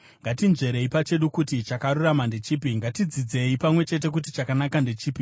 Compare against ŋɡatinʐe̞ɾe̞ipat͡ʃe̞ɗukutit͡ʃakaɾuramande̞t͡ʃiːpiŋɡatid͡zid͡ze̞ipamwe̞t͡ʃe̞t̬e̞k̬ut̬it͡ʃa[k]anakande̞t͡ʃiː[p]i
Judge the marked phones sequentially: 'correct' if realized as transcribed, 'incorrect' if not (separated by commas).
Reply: correct, correct